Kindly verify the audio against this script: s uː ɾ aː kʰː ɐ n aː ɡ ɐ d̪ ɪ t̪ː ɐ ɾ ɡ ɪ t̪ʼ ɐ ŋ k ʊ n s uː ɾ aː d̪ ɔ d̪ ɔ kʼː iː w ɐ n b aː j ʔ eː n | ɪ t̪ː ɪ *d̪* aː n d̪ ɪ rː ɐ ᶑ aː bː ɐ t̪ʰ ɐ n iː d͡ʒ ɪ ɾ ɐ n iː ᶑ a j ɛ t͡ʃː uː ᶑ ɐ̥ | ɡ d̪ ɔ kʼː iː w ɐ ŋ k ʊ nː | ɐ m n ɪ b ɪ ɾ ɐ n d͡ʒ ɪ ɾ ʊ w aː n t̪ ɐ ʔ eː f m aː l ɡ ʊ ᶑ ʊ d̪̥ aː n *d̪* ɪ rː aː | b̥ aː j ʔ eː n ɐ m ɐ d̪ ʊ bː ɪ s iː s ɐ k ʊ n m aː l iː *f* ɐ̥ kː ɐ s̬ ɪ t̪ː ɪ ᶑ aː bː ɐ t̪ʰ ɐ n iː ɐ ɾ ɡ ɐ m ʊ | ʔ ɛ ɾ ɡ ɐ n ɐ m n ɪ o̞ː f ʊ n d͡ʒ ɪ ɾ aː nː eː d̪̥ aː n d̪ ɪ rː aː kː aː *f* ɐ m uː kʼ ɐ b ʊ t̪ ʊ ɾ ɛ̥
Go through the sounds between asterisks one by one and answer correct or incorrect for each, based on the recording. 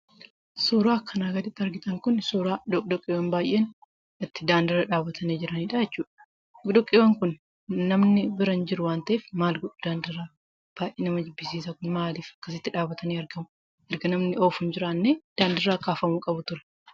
correct, correct, correct, correct

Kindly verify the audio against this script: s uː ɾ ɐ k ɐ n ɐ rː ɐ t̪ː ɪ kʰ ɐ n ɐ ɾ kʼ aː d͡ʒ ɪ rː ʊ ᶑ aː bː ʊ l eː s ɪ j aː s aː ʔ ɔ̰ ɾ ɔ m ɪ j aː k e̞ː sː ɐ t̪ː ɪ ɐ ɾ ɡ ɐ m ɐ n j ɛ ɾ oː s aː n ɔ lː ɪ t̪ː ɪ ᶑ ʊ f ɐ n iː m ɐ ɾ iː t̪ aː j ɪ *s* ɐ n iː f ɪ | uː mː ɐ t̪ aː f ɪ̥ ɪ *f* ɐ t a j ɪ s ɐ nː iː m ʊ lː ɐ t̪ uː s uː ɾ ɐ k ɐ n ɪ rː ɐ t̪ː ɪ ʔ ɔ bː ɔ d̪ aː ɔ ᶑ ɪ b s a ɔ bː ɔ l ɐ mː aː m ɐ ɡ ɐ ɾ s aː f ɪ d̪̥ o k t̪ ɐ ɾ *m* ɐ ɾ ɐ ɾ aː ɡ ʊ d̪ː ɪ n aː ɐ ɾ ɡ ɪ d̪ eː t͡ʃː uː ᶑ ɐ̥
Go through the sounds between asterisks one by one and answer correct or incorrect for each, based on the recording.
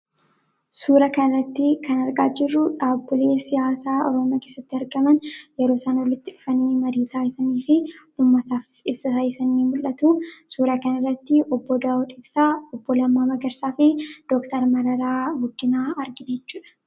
correct, incorrect, correct

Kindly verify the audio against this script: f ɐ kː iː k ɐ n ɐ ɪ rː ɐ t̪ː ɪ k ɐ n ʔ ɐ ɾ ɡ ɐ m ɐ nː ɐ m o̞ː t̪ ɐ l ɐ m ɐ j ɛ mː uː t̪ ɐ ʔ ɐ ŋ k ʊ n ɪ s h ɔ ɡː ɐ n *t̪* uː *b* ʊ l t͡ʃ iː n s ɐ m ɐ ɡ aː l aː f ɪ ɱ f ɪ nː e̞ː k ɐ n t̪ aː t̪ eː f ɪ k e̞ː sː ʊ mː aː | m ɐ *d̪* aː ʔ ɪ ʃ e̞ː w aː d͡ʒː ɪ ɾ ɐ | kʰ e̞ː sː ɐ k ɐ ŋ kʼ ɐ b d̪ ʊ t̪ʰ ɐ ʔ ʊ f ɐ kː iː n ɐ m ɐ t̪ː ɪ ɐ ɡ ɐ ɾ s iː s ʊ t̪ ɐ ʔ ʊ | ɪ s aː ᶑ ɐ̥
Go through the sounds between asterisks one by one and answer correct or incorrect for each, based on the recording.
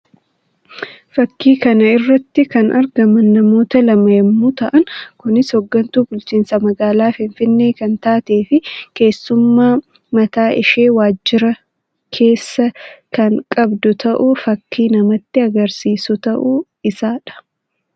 correct, correct, incorrect

